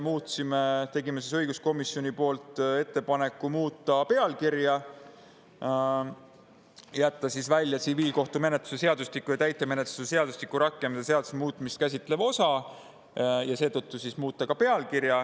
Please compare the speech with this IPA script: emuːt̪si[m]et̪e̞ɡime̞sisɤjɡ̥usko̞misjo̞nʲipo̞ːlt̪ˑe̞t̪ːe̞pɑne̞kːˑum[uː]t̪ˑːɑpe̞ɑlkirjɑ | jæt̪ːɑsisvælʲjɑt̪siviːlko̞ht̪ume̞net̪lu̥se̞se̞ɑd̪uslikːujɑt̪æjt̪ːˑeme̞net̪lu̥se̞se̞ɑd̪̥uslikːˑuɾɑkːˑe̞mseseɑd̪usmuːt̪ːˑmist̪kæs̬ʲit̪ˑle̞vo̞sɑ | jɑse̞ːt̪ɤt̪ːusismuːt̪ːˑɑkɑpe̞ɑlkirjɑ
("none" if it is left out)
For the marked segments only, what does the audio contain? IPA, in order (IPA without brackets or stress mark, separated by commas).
m, uː